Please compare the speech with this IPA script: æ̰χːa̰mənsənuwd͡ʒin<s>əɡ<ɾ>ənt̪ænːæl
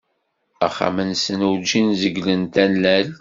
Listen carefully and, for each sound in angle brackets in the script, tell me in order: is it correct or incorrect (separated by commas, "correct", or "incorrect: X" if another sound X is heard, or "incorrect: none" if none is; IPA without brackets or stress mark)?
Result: incorrect: z, incorrect: l